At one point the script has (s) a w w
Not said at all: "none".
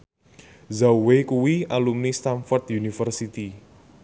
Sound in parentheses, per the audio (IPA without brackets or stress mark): z